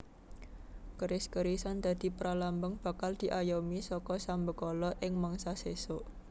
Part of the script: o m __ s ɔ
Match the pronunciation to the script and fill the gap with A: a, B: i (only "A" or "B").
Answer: B